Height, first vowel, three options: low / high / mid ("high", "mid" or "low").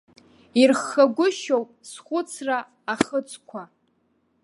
high